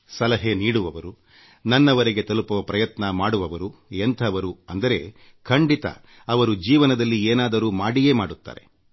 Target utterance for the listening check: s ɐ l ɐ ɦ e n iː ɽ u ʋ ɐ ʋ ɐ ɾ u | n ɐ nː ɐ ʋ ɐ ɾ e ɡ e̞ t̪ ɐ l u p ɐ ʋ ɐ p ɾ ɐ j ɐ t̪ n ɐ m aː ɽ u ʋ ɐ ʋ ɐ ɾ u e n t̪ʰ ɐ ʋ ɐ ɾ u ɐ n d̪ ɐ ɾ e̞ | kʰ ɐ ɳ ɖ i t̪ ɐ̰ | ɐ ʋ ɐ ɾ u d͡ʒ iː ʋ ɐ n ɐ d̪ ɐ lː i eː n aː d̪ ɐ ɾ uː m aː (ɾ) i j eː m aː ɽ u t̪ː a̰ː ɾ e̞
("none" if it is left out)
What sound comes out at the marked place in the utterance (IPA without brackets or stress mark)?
ɽ